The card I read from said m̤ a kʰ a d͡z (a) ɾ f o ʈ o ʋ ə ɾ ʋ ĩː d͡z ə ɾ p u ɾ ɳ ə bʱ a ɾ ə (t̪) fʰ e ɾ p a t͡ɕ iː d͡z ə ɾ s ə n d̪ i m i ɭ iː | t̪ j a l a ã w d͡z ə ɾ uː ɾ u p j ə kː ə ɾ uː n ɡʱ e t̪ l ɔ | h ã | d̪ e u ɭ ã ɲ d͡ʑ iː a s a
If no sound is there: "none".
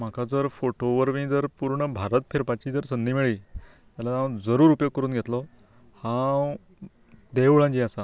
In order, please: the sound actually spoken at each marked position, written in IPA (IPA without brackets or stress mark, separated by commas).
ə, t̪